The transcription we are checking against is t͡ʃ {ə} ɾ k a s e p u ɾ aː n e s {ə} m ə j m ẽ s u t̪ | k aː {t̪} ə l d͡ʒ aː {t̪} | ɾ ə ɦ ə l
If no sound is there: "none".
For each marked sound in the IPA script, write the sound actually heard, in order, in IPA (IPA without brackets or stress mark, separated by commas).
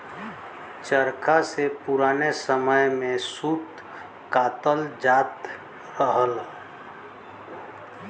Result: ə, ə, t̪, t̪